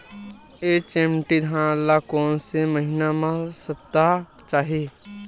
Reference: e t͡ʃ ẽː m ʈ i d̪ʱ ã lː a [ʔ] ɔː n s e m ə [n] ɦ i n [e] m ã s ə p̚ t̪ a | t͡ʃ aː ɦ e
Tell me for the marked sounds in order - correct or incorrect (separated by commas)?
incorrect, incorrect, incorrect